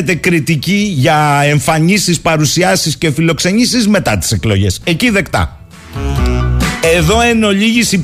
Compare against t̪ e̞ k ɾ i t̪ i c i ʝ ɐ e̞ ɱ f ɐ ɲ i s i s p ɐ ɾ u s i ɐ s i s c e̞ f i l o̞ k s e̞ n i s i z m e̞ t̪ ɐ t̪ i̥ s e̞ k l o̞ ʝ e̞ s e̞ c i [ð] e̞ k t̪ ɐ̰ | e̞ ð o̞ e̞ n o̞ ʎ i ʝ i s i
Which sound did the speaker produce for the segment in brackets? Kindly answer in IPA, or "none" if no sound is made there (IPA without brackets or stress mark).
ð